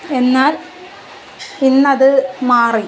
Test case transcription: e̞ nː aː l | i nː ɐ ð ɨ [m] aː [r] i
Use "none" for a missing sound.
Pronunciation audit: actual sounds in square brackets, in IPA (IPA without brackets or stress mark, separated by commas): m, r